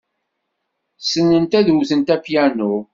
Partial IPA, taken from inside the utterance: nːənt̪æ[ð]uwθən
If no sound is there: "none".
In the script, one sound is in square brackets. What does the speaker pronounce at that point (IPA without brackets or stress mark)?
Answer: ð